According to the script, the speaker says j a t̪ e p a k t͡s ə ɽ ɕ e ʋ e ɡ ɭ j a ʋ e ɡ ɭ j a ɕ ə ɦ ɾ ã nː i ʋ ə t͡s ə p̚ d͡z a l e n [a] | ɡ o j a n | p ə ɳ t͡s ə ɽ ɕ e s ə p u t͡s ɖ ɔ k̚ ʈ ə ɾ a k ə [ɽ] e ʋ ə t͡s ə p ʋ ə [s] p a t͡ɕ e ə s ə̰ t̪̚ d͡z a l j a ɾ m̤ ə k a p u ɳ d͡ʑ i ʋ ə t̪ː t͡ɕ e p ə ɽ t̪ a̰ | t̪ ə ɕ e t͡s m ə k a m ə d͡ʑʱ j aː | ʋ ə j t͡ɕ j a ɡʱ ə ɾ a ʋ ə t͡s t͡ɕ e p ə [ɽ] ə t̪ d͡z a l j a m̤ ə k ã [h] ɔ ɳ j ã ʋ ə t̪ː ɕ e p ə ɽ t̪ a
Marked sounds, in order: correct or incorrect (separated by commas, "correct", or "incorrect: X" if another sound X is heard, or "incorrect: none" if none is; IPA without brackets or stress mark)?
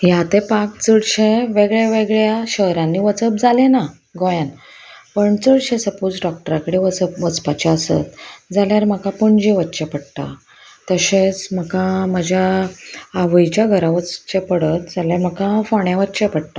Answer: correct, correct, incorrect: t͡s, correct, incorrect: f